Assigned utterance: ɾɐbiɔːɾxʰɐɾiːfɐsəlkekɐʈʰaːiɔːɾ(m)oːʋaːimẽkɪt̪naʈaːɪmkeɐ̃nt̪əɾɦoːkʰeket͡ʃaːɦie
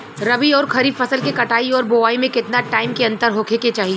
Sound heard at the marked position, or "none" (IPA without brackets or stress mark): b